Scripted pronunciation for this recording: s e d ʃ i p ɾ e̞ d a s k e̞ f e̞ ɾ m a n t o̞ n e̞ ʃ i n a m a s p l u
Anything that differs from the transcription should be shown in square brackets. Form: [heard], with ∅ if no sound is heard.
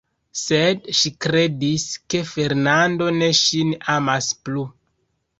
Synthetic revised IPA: s e d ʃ i [k] ɾ e̞ d [i] s k e̞ f e̞ ɾ [n] a n [d] o̞ n e̞ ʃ i n a m a s p l u